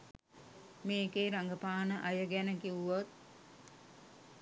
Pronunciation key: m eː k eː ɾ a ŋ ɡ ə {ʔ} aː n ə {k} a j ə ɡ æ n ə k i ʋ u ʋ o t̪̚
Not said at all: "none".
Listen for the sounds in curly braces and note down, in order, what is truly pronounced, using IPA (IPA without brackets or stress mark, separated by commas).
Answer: p, ʔ